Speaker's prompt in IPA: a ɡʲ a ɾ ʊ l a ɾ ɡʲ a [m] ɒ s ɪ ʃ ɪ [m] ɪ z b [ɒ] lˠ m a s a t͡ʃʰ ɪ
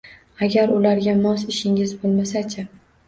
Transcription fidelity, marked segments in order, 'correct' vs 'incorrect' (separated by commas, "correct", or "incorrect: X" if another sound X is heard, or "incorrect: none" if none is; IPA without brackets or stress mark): correct, incorrect: ŋ, incorrect: o